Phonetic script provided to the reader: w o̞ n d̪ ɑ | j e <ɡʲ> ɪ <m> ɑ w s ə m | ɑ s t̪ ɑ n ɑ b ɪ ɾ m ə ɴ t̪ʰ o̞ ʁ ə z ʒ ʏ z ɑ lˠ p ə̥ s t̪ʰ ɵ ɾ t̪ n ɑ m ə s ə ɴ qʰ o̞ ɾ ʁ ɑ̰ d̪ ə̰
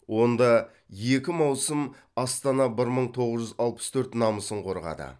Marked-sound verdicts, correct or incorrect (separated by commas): incorrect, correct